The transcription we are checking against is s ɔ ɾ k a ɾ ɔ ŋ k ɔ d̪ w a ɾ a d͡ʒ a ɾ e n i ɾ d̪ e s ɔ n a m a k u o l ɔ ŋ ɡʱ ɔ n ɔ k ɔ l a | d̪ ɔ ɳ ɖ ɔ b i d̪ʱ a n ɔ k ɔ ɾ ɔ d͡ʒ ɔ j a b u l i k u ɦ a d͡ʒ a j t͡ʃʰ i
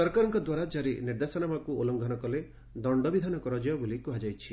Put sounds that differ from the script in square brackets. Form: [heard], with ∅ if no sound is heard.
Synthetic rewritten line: s ɔ ɾ k a ɾ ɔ ŋ k ɔ d̪ w a ɾ a d͡ʒ a ɾ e n i ɾ d̪ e s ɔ n a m a k u o l ɔ ŋ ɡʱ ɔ n ɔ k ɔ l [e] | d̪ ɔ ɳ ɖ ɔ b i d̪ʱ a n ɔ k ɔ ɾ ɔ d͡ʒ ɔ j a b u l i k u ɦ a d͡ʒ a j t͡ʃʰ i